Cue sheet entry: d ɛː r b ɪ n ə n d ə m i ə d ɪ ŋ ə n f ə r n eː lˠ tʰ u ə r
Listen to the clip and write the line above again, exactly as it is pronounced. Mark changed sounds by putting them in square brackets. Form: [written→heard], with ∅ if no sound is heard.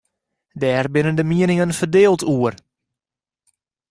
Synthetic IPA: d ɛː r b ɪ n ə n d ə m i ə [d→n] ɪ ŋ ə n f ə r [n→d] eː lˠ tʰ u ə r